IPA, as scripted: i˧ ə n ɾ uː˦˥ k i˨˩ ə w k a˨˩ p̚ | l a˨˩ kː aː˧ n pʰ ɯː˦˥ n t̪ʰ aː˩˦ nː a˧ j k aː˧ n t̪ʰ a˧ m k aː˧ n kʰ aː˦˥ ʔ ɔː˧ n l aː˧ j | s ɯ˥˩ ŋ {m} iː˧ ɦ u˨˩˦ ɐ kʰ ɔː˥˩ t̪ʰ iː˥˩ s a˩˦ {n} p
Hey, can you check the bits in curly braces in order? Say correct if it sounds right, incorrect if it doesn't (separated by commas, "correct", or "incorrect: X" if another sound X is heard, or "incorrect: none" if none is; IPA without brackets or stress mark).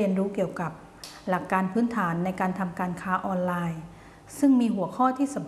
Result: correct, incorrect: m